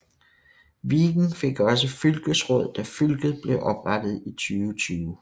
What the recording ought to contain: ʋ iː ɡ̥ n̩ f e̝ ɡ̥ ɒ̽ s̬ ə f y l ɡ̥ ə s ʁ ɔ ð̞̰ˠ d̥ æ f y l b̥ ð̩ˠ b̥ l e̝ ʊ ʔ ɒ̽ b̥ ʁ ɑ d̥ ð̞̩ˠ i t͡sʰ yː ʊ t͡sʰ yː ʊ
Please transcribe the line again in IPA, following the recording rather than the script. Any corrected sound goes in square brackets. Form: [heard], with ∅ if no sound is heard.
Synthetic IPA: ʋ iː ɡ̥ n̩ f e̝ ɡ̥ ɒ̽ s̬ ə f y l ɡ̥ ə s ʁ ɔ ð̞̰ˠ d̥ æ f y l [ɡ̥] ð̩ˠ b̥ l e̝ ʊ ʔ ɒ̽ b̥ ʁ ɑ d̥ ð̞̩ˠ i t͡sʰ yː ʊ t͡sʰ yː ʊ